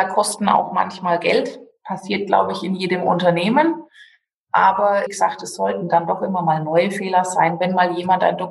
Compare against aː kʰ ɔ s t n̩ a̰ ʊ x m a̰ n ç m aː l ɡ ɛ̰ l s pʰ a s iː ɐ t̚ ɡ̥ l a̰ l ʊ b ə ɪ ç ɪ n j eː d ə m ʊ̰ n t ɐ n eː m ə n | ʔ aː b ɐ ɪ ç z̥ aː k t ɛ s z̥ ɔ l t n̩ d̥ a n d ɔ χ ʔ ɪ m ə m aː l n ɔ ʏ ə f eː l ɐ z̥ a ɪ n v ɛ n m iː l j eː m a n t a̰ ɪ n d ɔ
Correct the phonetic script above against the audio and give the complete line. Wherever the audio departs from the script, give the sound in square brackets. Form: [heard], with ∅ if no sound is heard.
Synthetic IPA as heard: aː kʰ ɔ s t n̩ a̰ ʊ x m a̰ n ç m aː l ɡ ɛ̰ l [t] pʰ a s iː ɐ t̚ ɡ̥ l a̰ [∅] ʊ b ə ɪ ç ɪ n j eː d ə m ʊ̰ n t ɐ n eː m ə n | ʔ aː b ɐ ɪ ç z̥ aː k t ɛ s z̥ ɔ l t n̩ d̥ a n d ɔ χ ʔ ɪ m [ɐ] m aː l n ɔ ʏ ə f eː l ɐ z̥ a ɪ n v ɛ n m [aː] l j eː m a n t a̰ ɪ n d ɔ